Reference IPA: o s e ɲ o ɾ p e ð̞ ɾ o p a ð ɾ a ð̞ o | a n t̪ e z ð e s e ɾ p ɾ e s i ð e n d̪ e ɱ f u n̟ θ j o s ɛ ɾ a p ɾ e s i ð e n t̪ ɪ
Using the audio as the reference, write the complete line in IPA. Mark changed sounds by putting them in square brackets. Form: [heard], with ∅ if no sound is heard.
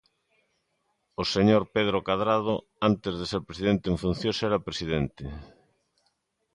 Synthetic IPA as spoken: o s e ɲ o ɾ p e ð̞ ɾ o [k] a ð ɾ a ð̞ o | a n t̪ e z ð e s e ɾ p ɾ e s i ð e n [t̪] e ɱ f u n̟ θ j o s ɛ ɾ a p ɾ e s i ð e n t̪ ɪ